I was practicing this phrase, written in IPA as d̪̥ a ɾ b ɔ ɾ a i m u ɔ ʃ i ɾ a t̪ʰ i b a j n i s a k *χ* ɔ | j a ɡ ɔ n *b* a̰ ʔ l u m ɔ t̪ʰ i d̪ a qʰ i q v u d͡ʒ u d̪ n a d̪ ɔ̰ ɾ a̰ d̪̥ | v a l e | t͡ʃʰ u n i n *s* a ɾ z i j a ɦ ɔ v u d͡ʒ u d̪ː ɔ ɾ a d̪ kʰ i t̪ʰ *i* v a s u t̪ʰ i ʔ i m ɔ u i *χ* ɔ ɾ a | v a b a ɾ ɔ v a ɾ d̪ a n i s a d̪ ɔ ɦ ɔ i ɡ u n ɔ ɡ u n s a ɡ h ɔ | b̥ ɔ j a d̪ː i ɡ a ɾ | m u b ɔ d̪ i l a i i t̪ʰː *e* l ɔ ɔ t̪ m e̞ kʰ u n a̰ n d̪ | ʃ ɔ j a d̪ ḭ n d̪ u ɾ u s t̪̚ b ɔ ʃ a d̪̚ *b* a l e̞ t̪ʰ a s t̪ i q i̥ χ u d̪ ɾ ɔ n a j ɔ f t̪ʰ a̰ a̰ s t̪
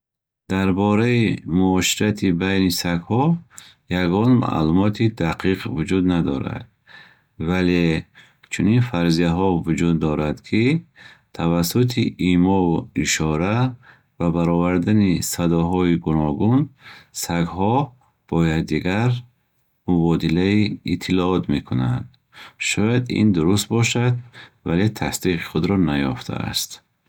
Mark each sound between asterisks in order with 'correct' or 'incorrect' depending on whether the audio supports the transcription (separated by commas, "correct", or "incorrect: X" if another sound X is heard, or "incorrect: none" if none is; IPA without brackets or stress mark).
incorrect: h, incorrect: m, incorrect: f, incorrect: a, incorrect: ʃ, incorrect: i, incorrect: v